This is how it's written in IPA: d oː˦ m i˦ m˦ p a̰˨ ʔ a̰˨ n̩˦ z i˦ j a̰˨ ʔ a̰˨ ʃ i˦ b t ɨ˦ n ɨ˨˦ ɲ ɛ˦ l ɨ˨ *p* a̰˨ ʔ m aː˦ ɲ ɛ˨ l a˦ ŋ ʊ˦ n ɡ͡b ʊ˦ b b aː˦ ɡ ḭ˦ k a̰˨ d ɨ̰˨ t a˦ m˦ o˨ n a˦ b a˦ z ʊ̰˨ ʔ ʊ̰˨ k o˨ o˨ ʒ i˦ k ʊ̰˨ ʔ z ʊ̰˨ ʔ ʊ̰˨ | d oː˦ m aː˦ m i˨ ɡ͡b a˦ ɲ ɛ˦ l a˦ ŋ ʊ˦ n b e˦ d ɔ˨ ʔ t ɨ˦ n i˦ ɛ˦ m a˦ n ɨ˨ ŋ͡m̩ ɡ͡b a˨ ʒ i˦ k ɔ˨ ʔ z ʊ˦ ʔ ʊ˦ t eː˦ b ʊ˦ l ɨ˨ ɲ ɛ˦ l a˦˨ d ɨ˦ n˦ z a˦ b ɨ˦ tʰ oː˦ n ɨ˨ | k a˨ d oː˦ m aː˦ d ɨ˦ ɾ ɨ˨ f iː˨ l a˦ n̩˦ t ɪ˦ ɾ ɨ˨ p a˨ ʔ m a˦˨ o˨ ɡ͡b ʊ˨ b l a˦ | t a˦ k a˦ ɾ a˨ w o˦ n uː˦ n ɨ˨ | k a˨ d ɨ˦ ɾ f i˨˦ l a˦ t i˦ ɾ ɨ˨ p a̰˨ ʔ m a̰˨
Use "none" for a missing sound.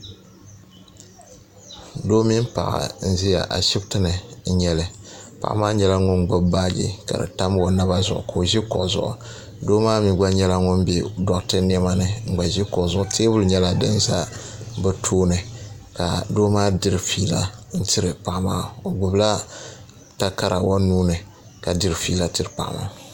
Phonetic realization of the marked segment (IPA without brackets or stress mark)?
p